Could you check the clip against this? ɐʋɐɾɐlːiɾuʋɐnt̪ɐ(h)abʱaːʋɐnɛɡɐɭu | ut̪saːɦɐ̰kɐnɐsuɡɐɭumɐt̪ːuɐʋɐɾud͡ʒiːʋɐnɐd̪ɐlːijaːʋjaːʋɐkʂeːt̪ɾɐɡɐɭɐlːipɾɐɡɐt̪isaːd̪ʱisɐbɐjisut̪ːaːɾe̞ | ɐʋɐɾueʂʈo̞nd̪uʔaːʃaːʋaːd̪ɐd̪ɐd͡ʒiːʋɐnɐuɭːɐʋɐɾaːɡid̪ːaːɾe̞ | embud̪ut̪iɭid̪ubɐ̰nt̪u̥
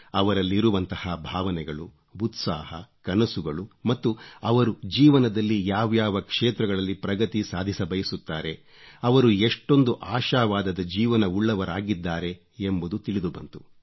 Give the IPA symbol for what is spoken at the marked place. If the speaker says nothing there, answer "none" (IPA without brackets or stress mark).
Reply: h